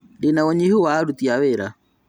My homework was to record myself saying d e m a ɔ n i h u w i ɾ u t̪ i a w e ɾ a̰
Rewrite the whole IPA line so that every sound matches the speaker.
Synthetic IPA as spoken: d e n a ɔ ɲ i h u w a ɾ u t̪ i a w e ɾ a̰